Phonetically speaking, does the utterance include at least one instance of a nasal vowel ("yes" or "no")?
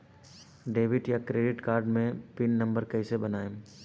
yes